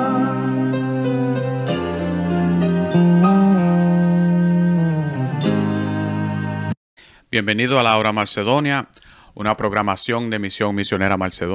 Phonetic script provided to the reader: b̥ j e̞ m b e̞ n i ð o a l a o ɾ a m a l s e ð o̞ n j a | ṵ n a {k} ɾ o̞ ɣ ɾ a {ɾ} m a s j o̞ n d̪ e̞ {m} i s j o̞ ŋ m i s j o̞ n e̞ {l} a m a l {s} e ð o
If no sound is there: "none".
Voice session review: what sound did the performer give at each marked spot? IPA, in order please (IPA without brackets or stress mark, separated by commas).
p, none, m, ɾ, s